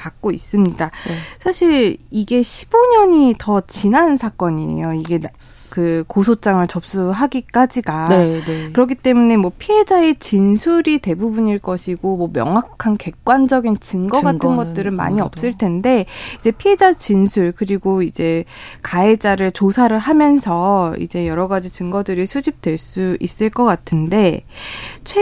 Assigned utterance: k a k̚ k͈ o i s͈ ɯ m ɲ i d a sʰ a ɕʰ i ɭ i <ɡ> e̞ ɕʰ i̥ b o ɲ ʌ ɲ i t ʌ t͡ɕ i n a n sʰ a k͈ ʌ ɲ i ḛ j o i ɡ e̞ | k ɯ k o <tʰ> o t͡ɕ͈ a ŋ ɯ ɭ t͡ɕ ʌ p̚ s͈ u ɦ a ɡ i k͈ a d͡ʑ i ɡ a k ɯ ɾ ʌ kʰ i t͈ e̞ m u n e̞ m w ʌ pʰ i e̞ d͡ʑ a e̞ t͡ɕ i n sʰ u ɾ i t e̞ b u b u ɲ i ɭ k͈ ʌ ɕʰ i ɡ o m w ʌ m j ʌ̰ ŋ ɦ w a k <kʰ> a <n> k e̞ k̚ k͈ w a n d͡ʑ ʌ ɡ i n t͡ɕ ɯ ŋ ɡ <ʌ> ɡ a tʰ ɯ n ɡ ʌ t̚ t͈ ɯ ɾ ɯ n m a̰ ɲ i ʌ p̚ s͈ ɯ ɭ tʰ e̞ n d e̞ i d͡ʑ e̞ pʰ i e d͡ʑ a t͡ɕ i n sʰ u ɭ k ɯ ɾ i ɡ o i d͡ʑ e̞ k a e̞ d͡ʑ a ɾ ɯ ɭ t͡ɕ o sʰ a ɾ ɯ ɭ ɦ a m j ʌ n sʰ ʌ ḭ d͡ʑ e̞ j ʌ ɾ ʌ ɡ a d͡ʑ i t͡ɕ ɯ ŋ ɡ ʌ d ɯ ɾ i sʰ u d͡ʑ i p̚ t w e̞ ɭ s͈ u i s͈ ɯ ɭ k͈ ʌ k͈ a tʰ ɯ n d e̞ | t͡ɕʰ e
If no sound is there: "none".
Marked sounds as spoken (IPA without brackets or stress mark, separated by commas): ɡ, sʰ, kʰ, n, ʌ